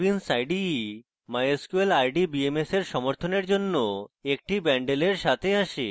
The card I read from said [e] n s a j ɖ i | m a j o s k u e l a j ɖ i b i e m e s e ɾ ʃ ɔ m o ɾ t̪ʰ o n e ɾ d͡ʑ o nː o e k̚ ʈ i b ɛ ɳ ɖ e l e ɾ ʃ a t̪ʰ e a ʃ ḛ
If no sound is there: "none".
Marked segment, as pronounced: i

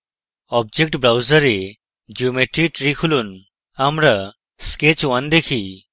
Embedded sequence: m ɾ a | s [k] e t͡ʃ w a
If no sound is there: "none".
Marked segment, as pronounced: k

